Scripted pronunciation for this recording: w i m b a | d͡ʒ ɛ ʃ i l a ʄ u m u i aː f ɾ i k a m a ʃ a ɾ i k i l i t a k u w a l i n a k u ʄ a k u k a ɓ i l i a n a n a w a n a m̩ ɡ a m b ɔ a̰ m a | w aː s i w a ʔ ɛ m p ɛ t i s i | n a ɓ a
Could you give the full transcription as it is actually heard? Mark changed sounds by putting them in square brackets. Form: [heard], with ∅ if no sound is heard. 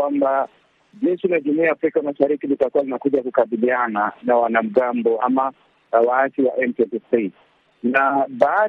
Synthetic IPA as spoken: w [a] m b a | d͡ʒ ɛ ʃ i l a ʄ u m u i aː f ɾ i k a m a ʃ a ɾ i k i l i t a k u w a l i n a k u ʄ a k u k a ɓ i l i a n a n a w a n a m̩ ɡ a m b ɔ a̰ m a | w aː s i w a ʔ ɛ m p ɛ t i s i | n a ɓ a